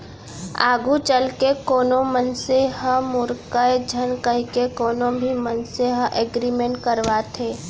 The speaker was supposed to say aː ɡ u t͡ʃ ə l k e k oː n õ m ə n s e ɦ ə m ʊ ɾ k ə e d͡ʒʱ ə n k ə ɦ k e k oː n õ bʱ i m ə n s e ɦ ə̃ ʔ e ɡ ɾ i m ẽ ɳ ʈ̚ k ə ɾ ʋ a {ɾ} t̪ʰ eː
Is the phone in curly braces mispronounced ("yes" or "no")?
yes